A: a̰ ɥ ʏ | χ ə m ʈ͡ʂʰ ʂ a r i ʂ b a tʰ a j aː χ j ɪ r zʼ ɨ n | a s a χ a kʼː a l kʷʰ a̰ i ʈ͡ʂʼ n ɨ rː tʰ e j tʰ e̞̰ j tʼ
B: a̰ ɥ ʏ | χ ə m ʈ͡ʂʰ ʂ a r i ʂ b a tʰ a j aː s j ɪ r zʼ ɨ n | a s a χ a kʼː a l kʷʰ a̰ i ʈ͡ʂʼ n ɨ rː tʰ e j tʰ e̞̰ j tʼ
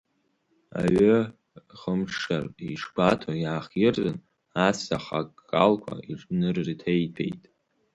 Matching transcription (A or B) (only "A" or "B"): A